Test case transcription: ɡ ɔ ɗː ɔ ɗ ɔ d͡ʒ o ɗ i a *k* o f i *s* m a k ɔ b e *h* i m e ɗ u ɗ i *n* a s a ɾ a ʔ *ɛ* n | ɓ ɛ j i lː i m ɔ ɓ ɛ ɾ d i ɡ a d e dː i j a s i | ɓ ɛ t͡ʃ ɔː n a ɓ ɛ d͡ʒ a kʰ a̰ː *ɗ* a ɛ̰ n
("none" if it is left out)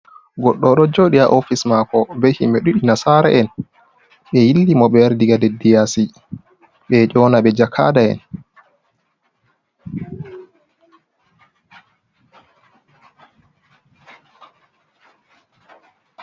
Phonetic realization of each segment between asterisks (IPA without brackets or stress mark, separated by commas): ʔ, s, h, n, ɛ, d